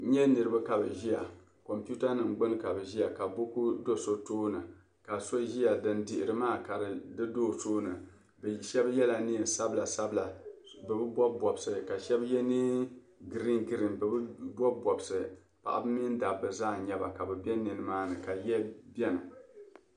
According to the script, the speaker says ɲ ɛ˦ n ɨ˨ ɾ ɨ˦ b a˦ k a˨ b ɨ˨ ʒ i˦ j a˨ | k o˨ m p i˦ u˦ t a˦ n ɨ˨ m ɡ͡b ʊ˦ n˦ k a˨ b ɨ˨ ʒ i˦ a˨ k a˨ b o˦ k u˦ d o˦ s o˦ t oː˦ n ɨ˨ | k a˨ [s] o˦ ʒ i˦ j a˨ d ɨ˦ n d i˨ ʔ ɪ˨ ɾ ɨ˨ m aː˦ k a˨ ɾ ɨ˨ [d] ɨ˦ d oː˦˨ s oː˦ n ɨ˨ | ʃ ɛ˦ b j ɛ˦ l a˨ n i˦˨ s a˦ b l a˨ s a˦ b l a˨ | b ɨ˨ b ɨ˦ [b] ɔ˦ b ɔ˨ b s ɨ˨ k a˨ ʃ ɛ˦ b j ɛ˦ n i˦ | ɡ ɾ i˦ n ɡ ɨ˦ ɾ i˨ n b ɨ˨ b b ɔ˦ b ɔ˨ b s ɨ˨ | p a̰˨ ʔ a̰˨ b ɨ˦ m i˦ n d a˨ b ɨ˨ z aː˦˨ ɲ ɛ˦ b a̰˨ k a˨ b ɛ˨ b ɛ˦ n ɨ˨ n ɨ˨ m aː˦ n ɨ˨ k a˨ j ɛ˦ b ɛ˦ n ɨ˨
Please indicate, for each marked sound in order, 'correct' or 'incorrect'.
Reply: correct, correct, correct

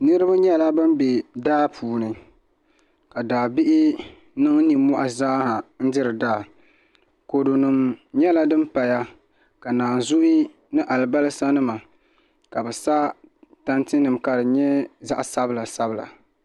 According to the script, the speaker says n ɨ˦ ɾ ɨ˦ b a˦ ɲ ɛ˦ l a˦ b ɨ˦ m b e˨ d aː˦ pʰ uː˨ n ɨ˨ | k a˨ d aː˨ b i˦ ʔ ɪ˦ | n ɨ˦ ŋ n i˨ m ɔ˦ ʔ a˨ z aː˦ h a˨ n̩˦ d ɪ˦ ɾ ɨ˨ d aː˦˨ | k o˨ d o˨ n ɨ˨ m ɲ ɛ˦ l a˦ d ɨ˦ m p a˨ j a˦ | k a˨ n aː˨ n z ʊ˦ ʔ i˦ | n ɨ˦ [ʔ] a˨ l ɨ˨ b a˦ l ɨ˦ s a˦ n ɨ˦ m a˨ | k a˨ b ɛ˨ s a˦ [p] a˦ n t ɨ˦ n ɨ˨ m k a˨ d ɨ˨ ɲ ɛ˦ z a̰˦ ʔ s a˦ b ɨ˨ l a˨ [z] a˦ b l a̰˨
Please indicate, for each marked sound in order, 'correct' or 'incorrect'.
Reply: correct, incorrect, incorrect

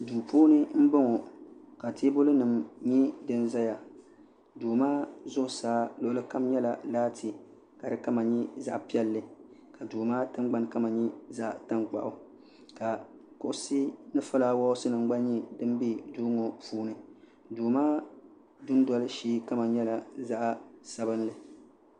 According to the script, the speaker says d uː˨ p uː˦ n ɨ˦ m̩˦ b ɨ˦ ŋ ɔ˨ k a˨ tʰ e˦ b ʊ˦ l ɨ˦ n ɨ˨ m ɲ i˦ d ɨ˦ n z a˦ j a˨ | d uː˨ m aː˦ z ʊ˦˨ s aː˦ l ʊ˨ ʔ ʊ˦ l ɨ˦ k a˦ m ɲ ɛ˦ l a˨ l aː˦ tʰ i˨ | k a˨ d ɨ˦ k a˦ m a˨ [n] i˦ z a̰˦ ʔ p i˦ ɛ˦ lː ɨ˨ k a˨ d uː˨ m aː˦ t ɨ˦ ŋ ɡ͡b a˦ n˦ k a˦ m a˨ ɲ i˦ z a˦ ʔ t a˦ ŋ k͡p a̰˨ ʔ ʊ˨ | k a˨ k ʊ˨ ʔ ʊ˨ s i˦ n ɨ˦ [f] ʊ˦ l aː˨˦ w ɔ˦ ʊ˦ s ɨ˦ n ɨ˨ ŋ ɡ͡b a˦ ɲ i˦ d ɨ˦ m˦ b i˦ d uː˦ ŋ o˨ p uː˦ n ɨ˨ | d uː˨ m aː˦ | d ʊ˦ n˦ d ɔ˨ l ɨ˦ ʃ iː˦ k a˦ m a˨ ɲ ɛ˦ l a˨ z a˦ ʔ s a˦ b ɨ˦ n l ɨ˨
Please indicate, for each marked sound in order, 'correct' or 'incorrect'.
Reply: incorrect, correct

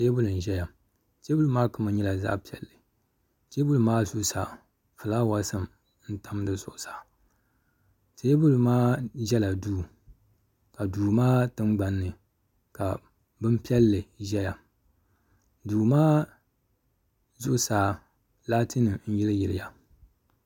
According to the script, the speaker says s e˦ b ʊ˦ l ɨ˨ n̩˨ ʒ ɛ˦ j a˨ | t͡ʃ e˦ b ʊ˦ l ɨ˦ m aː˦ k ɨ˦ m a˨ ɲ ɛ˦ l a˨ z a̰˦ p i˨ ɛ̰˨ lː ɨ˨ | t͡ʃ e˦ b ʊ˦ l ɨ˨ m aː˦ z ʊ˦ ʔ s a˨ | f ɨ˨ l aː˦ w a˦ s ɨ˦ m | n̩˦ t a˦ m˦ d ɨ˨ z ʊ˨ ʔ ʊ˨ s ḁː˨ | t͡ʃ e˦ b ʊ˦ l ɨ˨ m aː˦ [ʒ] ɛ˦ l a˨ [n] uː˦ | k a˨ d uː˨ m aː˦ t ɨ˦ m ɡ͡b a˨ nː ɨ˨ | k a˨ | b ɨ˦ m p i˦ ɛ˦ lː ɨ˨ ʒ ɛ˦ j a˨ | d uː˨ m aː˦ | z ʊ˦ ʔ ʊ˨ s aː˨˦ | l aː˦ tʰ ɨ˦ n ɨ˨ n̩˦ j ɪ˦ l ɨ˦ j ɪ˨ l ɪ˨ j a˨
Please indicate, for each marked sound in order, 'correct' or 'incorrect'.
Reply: correct, incorrect

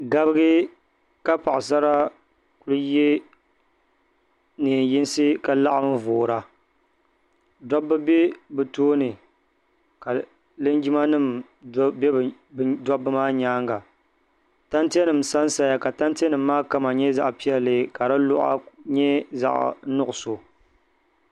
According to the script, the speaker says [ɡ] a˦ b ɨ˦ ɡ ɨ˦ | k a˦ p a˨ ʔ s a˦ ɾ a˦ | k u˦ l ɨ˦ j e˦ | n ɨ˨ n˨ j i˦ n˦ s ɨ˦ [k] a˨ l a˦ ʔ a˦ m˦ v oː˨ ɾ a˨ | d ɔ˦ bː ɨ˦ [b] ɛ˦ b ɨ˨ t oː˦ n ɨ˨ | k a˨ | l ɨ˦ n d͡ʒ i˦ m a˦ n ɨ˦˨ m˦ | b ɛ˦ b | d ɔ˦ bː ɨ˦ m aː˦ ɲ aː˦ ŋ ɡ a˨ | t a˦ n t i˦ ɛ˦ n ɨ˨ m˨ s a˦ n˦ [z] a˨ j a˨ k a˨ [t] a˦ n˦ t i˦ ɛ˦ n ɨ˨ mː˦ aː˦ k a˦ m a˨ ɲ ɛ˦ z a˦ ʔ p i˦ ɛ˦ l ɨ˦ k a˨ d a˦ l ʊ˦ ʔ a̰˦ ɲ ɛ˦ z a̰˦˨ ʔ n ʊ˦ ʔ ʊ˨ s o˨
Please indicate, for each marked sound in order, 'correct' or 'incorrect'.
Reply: correct, correct, correct, incorrect, correct

